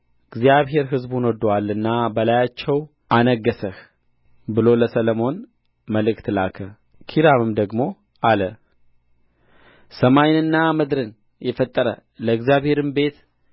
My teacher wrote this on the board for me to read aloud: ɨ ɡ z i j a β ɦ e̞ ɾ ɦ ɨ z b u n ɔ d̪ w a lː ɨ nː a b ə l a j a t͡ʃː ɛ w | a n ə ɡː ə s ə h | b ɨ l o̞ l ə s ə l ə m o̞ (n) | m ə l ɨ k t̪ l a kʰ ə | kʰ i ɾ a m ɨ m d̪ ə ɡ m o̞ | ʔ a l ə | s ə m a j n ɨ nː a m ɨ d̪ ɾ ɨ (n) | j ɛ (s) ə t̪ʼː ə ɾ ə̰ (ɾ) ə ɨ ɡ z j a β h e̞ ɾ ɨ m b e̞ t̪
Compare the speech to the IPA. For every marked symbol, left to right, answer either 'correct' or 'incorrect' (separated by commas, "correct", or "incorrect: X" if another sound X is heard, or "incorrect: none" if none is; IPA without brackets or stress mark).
correct, correct, incorrect: f, incorrect: l